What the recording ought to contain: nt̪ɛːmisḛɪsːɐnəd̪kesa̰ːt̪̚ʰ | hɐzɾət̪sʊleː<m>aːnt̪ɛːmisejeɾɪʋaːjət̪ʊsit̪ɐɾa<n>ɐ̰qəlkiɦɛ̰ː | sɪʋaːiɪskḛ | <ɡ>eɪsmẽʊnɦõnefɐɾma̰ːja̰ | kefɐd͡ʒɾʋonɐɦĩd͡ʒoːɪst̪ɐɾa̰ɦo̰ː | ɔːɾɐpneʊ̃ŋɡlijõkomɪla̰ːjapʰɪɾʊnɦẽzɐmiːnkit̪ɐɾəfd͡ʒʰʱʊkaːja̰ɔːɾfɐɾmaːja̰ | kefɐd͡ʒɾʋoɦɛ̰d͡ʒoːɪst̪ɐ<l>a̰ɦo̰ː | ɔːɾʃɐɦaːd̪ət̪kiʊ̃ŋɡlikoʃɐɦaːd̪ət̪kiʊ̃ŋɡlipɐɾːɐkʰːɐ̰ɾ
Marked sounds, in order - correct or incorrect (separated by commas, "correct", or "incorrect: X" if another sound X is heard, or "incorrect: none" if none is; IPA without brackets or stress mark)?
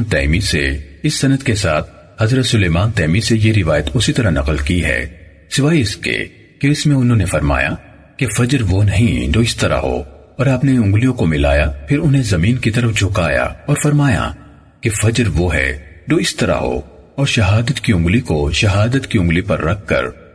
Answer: correct, correct, incorrect: k, incorrect: ɾ